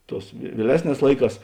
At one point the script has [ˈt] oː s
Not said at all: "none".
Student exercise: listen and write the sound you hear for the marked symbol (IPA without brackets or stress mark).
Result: t